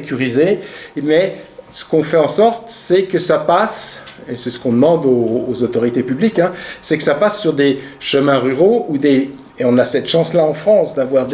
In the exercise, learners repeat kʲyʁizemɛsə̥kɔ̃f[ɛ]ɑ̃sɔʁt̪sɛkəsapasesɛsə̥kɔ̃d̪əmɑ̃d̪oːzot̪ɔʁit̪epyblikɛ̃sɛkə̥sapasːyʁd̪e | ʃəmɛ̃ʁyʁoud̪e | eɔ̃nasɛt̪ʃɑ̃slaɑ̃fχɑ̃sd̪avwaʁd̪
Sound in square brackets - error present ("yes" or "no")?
no